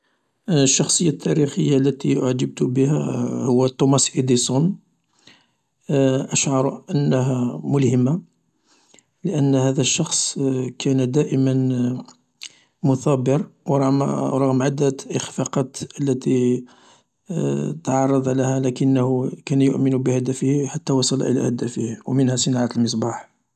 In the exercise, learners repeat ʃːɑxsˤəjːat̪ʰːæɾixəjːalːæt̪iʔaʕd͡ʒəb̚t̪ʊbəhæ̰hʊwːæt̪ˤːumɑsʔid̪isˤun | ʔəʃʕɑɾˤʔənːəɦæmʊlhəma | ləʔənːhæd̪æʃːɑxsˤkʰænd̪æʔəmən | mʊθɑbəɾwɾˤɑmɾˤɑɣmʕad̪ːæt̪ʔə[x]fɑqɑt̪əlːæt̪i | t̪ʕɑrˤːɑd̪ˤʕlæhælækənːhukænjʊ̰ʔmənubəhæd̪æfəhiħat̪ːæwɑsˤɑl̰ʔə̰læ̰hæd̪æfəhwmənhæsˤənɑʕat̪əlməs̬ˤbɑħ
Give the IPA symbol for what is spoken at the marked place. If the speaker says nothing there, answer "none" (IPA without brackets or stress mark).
x